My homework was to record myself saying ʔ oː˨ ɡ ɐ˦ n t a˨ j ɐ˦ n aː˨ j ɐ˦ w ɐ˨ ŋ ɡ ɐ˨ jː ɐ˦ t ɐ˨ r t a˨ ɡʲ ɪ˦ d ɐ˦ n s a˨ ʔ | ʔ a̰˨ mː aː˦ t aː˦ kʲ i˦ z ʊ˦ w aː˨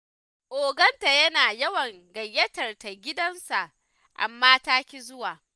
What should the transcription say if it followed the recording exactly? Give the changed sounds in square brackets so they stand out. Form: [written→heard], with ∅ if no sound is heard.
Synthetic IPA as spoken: ʔ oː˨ ɡ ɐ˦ n t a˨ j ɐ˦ n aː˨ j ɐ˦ w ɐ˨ ŋ ɡ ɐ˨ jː ɐ˦ t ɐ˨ r t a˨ ɡʲ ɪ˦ d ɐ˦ n s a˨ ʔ | ʔ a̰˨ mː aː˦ t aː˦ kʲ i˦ z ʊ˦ w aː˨